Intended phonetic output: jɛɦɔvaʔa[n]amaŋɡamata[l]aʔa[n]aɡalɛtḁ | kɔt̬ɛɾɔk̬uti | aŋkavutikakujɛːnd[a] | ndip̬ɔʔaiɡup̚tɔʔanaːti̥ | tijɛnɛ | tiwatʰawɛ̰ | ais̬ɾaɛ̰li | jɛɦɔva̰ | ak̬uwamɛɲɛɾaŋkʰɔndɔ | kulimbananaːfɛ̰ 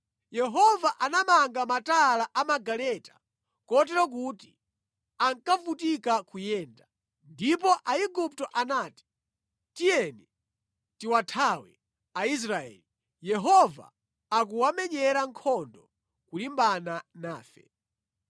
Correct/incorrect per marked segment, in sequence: correct, correct, incorrect, correct

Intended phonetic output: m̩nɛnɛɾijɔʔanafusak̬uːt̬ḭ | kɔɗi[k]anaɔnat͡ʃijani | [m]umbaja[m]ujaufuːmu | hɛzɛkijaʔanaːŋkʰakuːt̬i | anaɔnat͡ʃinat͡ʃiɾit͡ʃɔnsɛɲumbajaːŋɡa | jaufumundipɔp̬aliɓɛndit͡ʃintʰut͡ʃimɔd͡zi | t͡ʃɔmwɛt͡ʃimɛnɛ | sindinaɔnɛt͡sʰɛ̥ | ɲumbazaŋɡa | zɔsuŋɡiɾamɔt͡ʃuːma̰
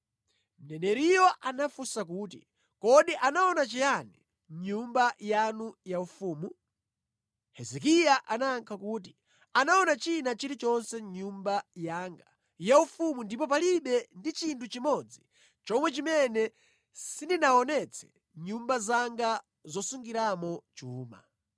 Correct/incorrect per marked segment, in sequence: incorrect, incorrect, incorrect

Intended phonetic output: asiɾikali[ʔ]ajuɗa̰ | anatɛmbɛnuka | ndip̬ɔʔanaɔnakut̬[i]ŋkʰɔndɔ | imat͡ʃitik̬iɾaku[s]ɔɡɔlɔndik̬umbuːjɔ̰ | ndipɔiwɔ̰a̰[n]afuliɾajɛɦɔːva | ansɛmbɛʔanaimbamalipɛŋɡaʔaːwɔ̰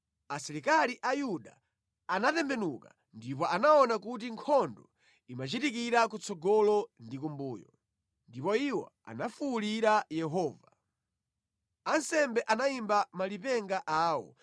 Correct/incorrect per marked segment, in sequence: correct, correct, incorrect, correct

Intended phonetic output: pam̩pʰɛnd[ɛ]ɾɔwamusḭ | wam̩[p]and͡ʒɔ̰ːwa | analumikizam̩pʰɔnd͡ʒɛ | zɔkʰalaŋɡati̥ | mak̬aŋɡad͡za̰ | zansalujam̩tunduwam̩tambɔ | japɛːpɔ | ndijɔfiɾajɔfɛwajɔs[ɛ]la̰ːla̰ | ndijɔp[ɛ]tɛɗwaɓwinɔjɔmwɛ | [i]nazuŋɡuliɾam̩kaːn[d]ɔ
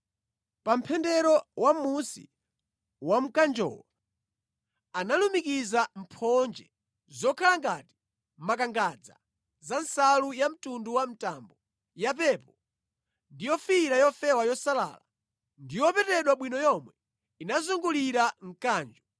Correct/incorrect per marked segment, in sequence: correct, incorrect, incorrect, correct, correct, incorrect

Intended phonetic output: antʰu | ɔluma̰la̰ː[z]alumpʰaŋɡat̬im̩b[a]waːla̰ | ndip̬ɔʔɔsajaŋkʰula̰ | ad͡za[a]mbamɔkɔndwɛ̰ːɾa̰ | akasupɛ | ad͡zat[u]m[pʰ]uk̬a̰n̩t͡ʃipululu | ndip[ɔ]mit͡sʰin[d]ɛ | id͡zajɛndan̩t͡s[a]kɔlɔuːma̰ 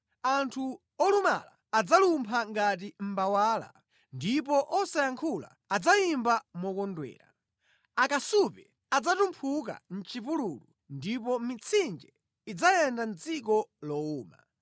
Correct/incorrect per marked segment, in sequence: incorrect, correct, incorrect, correct, correct, correct, incorrect, incorrect

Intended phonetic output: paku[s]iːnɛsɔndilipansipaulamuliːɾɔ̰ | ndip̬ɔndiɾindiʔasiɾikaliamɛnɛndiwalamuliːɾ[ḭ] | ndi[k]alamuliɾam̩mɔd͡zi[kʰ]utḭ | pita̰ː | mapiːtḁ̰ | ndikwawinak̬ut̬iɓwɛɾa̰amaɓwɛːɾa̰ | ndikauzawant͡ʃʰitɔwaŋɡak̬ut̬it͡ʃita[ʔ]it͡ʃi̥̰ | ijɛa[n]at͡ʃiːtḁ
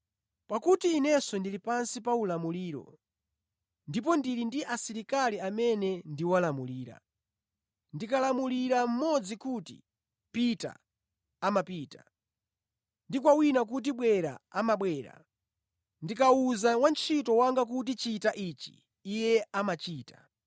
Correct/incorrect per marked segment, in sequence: incorrect, incorrect, correct, incorrect, correct, incorrect

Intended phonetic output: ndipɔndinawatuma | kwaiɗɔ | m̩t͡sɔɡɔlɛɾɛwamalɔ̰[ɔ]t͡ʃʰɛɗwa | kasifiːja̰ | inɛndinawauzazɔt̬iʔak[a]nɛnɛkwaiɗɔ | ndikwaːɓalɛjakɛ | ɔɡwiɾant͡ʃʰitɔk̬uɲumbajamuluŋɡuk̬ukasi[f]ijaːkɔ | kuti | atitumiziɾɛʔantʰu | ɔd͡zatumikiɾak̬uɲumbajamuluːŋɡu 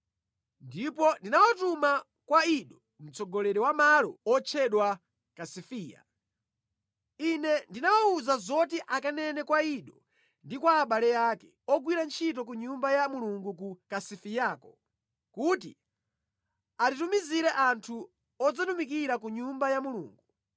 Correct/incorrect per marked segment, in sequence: correct, correct, correct

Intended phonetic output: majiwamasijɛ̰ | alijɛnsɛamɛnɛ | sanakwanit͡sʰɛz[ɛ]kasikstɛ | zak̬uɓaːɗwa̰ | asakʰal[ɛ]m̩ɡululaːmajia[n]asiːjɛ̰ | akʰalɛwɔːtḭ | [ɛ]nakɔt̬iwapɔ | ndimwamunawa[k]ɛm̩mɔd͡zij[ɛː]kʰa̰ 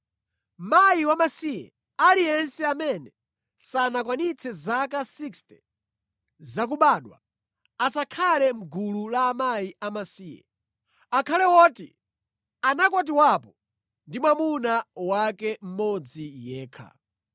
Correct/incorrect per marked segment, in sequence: incorrect, correct, incorrect, incorrect, correct, correct

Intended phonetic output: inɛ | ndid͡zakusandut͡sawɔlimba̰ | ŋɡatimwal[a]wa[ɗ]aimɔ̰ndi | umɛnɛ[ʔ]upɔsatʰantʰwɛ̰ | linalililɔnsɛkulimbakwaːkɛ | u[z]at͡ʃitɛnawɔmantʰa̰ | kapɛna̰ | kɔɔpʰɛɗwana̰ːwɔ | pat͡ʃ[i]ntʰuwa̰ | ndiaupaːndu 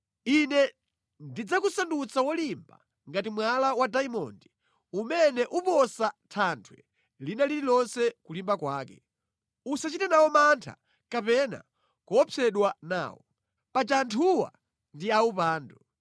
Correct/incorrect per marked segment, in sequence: correct, incorrect, correct, incorrect, incorrect

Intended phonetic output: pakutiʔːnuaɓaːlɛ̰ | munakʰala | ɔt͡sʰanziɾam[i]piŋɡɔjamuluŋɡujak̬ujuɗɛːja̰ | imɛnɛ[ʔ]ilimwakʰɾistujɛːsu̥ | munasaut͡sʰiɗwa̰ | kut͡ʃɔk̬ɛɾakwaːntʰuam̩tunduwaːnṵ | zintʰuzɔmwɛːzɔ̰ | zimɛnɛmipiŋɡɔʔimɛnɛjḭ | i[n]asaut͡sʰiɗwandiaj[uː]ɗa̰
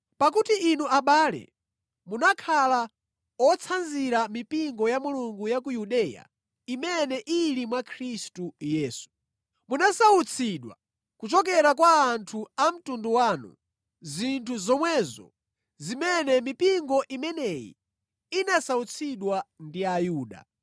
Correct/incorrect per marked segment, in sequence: correct, correct, correct, correct

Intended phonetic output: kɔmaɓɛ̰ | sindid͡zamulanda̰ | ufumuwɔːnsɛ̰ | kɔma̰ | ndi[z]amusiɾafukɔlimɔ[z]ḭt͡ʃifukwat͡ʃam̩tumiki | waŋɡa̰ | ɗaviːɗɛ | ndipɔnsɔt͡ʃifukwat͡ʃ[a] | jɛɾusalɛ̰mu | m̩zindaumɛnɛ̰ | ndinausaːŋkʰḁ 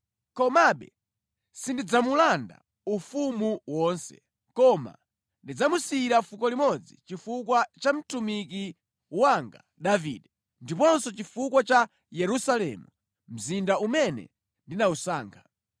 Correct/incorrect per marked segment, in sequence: incorrect, incorrect, correct

